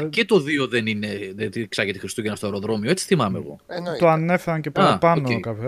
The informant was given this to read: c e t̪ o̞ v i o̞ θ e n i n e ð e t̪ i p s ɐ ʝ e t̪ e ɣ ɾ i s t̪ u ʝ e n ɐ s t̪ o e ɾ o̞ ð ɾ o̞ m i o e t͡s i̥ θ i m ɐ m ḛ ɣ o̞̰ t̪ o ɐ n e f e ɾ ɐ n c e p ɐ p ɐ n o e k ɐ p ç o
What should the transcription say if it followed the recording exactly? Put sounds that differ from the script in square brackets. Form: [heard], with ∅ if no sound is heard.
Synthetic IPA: c e t̪ o̞ [ð] i o̞ [ð] e n i n e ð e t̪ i [k] s ɐ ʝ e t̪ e [x] ɾ i s t̪ u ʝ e n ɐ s t̪ o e ɾ o̞ ð ɾ o̞ m i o e t͡s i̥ θ i m ɐ m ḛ ɣ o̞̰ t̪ o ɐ n e f e ɾ ɐ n c e p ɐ p ɐ n o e k ɐ p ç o